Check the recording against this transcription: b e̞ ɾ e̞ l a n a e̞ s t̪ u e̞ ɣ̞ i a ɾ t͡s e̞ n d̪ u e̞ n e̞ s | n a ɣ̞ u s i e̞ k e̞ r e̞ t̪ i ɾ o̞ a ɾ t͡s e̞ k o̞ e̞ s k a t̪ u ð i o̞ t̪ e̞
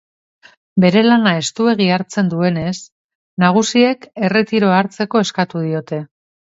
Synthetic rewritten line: b e̞ ɾ e̞ l a n a e̞ s t̪ u e̞ ɣ̞ i a ɾ t͡s e̞ n d̪ u e̞ n e̞ s | n a ɣ̞ u s i e̞ k e̞ r e̞ t̪ i ɾ o̞ a ɾ t͡s e̞ k o̞ e̞ s k a t̪ u ð i o̞ t̪ e̞